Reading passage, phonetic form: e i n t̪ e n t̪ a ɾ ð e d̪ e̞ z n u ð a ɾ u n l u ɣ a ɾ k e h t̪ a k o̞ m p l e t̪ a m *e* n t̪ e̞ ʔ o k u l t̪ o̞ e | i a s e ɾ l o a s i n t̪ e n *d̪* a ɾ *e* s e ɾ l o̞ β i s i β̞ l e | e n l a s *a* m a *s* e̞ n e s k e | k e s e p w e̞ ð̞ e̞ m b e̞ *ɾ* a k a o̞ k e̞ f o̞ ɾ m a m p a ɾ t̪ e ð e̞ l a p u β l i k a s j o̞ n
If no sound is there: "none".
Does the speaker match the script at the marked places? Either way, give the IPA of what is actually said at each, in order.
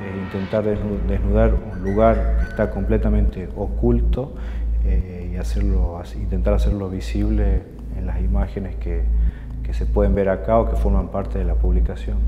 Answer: ẽ, t̪, a, i, x, ɾ

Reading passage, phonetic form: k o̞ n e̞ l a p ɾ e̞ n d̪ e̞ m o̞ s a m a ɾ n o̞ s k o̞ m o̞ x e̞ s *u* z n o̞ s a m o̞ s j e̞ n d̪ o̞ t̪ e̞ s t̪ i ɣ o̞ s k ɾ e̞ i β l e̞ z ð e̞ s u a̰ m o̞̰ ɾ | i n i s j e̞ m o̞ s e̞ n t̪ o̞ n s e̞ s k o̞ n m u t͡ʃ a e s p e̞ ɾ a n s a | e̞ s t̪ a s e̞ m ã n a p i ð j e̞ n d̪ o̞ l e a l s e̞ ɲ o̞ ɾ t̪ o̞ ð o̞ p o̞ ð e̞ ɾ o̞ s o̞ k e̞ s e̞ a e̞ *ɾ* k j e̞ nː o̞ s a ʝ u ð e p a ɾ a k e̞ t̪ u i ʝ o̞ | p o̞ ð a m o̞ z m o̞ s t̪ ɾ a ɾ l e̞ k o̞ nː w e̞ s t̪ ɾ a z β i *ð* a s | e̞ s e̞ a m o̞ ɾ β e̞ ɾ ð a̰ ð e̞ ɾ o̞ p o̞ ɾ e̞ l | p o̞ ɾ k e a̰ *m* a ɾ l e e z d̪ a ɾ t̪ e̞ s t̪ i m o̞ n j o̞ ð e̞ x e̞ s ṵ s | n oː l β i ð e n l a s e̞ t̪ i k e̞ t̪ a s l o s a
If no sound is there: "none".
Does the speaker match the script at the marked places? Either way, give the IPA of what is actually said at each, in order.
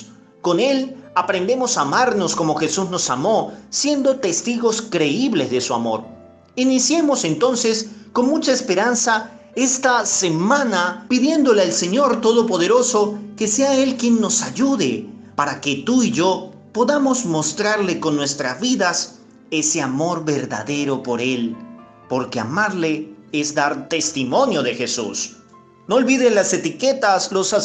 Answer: u, l, ð, m

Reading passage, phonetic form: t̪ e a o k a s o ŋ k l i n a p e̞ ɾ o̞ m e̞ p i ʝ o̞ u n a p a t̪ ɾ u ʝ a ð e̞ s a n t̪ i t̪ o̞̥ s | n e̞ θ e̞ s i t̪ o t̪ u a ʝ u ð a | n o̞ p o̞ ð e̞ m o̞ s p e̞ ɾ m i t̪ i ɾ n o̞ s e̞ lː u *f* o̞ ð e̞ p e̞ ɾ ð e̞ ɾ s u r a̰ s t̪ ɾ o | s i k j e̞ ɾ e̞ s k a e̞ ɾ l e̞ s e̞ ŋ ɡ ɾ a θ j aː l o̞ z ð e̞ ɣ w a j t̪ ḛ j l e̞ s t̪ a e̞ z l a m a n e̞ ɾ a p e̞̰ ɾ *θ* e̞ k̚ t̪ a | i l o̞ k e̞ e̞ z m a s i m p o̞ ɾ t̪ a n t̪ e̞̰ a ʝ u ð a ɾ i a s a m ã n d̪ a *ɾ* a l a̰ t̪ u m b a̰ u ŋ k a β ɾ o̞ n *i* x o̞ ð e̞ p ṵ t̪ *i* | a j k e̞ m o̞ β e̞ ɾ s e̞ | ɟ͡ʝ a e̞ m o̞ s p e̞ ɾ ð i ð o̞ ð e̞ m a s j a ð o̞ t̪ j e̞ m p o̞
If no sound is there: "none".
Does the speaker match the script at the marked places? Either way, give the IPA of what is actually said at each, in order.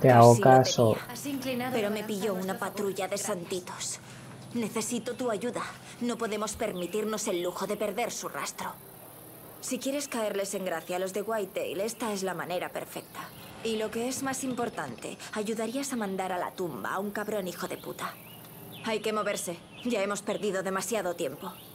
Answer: x, f, ɾ, i, a

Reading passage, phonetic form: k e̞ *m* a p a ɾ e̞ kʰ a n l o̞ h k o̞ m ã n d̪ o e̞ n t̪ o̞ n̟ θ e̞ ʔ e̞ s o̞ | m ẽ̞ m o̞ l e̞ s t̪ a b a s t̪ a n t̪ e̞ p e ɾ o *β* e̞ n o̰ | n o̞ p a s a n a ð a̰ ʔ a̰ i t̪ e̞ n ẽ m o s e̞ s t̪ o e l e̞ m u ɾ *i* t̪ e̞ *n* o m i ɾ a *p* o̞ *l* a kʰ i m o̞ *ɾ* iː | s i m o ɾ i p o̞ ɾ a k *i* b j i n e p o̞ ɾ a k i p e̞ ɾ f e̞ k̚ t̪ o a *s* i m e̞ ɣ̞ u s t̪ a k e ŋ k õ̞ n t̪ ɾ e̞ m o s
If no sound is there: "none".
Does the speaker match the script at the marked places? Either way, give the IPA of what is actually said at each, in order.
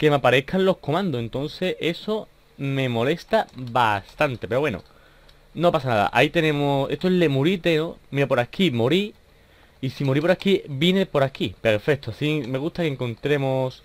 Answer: m, w, i, n, p, ɾ, ɾ, i, s

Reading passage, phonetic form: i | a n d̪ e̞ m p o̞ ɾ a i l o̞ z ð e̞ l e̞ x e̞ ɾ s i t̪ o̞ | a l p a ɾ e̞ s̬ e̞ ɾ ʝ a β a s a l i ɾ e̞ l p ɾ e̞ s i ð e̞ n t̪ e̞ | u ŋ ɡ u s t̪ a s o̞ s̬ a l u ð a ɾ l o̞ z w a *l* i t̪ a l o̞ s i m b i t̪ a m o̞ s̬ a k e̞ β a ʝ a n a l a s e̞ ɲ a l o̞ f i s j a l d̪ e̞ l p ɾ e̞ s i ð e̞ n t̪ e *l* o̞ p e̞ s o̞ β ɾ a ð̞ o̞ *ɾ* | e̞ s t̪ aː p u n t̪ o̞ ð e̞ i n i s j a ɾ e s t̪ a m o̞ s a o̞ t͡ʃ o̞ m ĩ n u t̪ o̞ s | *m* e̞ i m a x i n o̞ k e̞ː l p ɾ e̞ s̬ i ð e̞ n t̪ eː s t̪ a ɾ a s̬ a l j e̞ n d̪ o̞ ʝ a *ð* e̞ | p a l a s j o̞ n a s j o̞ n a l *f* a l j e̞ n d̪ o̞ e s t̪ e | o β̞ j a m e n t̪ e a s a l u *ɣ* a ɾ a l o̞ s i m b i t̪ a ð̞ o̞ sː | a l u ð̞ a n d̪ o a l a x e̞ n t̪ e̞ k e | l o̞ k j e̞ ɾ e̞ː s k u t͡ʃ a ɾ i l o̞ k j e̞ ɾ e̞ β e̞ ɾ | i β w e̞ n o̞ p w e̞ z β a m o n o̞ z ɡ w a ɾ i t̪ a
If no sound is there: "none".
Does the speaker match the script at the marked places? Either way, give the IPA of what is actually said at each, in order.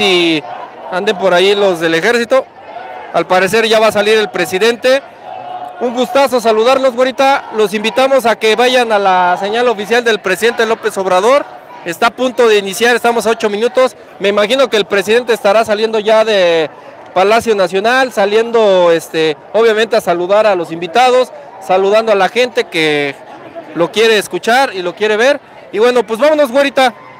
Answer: ɾ, l, ɾ, m, ð, s, ð

